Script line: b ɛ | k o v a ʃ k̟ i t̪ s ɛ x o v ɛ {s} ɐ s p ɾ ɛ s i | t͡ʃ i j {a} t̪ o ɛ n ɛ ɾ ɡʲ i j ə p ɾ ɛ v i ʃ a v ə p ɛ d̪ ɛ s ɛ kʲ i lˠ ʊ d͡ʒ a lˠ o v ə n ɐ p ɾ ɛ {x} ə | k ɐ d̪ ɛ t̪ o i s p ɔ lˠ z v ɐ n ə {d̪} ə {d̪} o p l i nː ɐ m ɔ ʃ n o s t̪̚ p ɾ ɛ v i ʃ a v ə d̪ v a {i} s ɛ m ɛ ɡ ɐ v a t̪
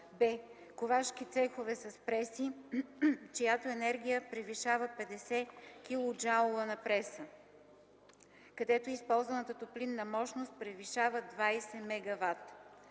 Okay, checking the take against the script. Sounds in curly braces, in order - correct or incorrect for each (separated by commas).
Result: correct, correct, incorrect, incorrect, incorrect, incorrect